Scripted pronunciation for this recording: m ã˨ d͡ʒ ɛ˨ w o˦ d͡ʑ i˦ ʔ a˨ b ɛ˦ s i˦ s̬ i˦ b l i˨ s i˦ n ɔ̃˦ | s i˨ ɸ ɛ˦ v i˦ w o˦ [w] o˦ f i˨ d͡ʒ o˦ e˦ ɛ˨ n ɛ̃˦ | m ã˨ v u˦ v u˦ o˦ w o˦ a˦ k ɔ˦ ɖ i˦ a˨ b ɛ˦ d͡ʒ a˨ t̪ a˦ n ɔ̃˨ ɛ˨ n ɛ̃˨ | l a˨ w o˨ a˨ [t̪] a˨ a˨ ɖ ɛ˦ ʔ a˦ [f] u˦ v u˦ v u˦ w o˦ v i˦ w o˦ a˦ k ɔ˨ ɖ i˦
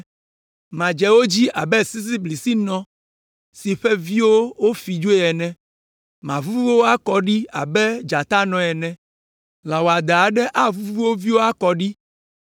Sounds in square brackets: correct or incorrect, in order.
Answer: correct, incorrect: d̪, incorrect: v

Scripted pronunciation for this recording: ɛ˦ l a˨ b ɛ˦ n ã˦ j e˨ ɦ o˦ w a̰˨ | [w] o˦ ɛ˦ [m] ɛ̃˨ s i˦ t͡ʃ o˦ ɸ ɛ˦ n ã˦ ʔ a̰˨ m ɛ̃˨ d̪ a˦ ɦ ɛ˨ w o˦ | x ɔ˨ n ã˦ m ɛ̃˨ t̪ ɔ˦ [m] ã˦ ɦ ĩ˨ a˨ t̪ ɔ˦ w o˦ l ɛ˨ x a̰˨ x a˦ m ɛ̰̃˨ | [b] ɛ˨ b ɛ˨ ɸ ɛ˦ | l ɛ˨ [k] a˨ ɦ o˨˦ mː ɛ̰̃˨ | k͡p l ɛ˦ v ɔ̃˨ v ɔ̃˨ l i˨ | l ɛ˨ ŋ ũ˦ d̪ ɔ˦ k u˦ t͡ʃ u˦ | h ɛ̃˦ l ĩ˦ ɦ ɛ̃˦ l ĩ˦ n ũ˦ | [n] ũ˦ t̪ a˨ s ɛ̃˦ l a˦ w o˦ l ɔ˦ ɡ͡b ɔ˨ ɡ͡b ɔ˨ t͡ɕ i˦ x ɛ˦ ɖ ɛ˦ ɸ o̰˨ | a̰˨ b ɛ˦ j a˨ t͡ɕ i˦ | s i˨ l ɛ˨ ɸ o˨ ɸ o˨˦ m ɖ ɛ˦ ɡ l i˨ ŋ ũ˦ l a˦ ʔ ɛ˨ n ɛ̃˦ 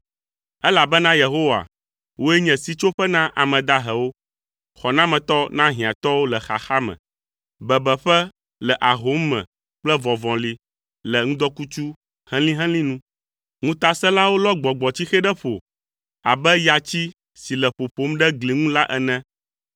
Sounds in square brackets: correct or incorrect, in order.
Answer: correct, incorrect: ɲ, incorrect: n, correct, incorrect: ʔ, incorrect: ŋ

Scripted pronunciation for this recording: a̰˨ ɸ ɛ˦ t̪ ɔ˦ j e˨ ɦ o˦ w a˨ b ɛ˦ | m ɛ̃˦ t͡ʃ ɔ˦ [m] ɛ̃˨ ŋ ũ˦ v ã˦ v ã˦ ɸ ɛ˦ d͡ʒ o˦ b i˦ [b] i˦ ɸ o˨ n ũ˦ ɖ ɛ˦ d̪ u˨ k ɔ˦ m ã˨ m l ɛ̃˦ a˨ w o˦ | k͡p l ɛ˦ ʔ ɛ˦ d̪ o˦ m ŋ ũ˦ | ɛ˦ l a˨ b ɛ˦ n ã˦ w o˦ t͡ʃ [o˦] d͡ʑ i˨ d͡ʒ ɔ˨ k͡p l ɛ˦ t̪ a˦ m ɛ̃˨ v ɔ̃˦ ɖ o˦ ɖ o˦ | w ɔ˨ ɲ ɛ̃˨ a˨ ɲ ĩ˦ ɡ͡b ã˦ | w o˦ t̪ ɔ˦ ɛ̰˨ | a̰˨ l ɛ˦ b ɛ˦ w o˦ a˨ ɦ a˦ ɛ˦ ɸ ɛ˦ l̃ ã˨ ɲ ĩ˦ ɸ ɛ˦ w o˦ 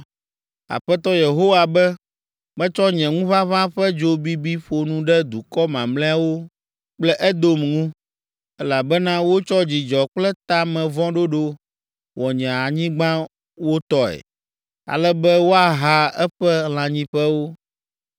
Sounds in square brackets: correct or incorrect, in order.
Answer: incorrect: ɲ, correct, incorrect: ɔ˦

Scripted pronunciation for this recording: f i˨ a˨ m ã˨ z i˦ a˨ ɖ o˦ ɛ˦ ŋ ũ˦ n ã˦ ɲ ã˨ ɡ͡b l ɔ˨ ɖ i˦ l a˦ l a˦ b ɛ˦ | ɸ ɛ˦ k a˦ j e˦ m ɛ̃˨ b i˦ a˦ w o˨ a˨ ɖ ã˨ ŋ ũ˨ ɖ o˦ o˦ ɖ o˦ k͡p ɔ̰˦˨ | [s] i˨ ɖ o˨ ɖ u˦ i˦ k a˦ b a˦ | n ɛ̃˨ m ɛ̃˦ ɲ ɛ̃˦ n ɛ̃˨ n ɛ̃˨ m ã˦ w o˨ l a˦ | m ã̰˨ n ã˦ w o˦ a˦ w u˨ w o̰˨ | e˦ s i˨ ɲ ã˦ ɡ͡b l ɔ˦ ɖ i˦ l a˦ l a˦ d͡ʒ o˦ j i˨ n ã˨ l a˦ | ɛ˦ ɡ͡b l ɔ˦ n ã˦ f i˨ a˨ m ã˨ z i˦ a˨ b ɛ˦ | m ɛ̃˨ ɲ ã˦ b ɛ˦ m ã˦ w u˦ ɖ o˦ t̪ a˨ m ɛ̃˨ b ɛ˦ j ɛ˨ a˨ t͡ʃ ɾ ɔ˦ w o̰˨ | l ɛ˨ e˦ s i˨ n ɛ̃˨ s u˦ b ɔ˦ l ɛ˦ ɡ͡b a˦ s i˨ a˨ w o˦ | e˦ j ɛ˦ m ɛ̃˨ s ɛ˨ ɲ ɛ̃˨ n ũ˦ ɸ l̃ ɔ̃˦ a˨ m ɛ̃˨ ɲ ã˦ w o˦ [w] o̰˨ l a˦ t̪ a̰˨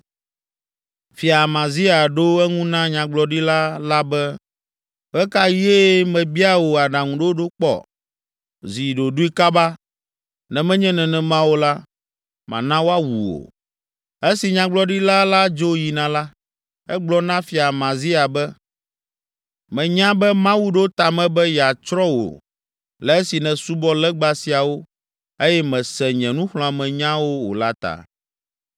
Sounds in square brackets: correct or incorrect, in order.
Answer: incorrect: z, correct

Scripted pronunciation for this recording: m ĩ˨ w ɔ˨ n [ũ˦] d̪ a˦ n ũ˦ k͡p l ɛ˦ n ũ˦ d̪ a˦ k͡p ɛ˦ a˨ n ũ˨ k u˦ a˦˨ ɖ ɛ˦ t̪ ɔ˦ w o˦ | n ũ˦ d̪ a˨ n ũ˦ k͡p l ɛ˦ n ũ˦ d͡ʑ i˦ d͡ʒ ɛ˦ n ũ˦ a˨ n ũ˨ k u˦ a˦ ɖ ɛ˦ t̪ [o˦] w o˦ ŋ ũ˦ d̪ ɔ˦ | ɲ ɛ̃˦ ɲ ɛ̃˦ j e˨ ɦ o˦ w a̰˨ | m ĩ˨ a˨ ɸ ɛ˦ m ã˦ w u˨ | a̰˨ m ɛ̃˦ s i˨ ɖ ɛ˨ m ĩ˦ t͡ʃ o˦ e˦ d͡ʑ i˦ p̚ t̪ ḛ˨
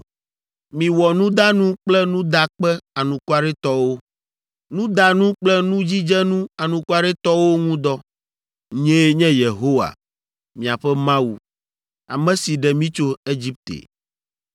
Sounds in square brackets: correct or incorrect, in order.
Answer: correct, incorrect: ɔ˦

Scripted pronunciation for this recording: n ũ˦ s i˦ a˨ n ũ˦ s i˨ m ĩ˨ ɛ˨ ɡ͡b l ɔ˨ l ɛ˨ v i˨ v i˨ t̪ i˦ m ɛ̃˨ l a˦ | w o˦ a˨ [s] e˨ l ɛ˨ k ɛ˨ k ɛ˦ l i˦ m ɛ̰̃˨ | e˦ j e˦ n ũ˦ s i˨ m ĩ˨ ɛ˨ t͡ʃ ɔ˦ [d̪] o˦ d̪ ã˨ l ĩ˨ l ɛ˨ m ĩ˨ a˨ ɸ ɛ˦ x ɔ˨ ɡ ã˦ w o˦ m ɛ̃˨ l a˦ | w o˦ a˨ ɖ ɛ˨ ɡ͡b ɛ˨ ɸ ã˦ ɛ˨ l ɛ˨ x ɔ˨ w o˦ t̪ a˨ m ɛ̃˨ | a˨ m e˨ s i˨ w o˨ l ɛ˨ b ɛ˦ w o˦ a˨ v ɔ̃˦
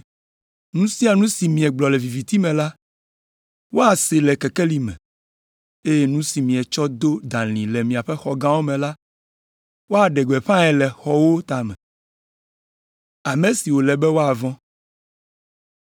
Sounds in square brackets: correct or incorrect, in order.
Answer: correct, correct

